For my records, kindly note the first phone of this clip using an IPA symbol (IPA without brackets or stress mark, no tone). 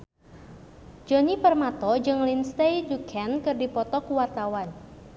d͡ʒ